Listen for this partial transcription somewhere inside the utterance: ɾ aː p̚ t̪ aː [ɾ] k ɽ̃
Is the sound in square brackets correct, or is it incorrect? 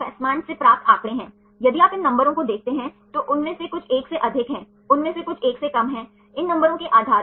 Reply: incorrect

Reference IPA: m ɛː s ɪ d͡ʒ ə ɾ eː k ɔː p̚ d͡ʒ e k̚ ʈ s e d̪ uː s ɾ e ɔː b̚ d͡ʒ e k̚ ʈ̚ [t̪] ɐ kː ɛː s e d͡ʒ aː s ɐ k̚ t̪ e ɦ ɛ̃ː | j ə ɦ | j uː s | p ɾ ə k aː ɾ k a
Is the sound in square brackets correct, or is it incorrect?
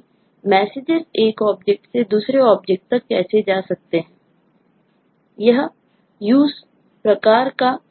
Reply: correct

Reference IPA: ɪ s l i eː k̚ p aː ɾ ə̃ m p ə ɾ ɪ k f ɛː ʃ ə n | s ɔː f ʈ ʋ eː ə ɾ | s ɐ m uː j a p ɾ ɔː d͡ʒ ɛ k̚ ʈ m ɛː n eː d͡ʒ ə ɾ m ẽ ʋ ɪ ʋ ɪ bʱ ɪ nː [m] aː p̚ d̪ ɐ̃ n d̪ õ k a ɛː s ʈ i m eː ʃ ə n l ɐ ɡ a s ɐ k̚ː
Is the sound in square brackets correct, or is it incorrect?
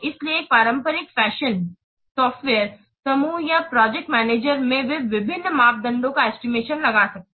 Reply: correct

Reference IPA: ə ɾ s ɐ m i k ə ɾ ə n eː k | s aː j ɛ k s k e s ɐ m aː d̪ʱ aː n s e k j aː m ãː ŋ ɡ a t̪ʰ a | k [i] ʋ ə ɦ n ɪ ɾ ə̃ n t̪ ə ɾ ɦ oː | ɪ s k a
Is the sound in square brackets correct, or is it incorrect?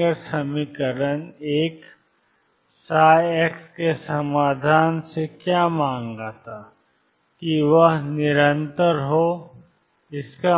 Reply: correct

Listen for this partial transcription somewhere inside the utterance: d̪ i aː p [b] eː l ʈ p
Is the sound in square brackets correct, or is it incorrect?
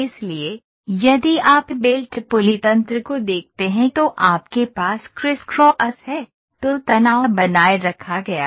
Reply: correct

